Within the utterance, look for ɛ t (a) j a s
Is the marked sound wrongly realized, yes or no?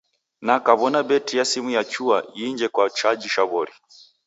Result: yes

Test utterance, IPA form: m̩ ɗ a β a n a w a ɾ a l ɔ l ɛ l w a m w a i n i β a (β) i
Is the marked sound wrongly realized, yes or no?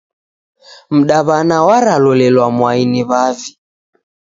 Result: yes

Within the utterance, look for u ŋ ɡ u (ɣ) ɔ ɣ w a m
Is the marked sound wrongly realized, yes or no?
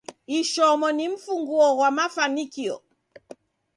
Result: yes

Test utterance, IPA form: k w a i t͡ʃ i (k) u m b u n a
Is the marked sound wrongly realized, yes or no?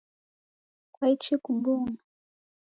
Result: no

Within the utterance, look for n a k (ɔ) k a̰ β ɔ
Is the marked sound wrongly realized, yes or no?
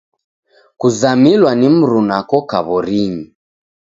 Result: no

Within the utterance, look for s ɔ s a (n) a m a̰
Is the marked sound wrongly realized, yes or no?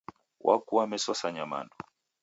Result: yes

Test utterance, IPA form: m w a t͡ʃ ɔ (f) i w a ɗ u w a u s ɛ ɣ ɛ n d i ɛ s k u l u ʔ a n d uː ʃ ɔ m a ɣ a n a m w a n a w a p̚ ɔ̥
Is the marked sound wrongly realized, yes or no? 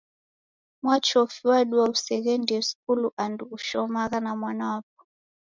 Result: no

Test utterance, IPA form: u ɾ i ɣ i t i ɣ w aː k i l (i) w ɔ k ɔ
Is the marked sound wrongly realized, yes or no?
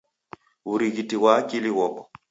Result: no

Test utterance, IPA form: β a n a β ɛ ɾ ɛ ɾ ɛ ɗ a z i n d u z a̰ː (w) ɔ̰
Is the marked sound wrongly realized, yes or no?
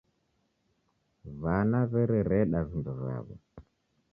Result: yes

